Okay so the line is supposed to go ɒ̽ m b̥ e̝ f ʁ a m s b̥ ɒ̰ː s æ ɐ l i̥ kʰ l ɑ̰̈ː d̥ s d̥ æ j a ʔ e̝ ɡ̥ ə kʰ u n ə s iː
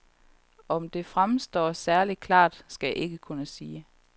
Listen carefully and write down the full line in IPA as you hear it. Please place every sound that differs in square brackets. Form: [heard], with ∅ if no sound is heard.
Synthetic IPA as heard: ɒ̽ m [d̥] e̝ f ʁ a m s [d̥] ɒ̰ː s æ ɐ l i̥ kʰ l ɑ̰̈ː d̥ s [ɡ̥] æ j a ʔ e̝ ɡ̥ ə kʰ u n ə s iː